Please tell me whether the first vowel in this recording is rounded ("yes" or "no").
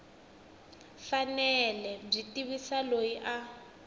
no